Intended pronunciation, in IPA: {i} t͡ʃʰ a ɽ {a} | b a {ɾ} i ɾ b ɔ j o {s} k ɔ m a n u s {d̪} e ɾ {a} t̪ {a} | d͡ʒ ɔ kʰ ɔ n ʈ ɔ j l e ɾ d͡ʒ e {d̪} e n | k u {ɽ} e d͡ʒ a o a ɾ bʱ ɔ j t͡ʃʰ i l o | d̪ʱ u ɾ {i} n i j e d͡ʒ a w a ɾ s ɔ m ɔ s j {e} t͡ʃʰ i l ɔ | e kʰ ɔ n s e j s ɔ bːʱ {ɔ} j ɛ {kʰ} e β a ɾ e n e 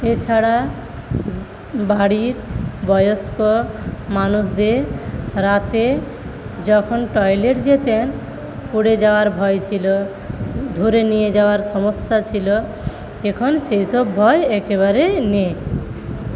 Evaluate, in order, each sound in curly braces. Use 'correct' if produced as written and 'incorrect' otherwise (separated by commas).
incorrect, correct, incorrect, correct, correct, correct, incorrect, incorrect, correct, incorrect, incorrect, correct, incorrect